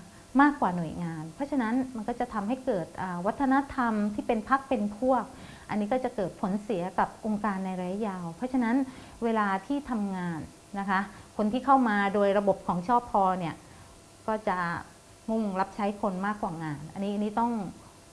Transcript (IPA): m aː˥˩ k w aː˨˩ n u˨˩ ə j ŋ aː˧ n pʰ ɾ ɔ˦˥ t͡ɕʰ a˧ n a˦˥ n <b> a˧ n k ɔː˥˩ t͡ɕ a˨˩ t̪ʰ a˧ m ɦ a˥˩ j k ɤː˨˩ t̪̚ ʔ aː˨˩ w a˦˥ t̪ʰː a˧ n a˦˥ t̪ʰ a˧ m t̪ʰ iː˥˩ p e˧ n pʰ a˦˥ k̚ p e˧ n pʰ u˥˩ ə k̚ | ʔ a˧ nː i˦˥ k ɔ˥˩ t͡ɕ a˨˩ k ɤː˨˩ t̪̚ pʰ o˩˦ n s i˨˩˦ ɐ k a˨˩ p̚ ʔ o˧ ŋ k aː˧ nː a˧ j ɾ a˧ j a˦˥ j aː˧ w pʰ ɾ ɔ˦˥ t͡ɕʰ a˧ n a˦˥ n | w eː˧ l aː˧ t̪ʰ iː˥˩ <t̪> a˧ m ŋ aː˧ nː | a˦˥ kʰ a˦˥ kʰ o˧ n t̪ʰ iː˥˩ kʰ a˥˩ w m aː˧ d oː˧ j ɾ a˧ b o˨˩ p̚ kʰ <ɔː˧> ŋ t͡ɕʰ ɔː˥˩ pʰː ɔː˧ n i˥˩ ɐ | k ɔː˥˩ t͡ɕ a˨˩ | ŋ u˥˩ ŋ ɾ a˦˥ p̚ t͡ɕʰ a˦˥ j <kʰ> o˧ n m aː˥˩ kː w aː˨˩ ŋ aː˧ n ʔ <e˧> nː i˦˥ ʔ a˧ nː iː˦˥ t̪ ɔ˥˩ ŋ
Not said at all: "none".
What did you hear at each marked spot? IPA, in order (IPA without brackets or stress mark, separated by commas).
m, t̪ʰ, ɔː˩˦, kʰ, a˧